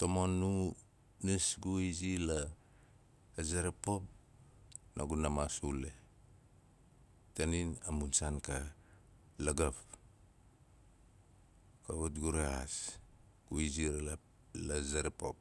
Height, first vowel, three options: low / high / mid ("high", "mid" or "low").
mid